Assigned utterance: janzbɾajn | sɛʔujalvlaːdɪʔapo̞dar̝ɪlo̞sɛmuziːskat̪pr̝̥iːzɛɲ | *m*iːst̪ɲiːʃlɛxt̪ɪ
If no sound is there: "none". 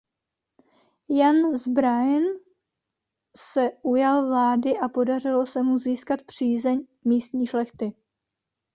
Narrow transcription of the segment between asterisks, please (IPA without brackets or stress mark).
m